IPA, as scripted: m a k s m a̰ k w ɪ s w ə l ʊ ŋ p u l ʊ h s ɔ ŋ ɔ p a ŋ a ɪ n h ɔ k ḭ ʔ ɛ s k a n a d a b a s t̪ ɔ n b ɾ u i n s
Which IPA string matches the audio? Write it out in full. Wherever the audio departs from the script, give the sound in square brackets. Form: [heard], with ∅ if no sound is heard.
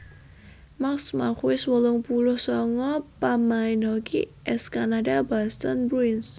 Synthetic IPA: m a k s m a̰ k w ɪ s w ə l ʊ ŋ p u l ʊ h s ɔ ŋ ɔ p a [m] a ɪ n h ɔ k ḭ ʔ ɛ s k a n a d a b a s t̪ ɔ n b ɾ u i n s